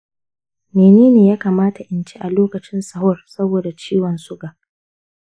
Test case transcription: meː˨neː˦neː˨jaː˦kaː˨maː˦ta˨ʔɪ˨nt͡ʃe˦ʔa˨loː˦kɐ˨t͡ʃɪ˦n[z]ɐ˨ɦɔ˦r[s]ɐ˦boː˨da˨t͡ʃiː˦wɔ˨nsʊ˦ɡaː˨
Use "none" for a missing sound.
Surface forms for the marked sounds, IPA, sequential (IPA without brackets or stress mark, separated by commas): s, s